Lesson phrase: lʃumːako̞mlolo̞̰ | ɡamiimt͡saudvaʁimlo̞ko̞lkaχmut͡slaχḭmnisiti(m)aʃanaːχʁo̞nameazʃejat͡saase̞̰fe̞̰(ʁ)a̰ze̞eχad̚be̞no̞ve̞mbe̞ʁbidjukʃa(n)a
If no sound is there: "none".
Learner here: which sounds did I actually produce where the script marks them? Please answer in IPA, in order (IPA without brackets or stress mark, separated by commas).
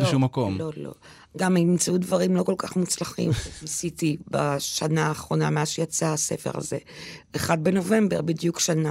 b, ʁ, n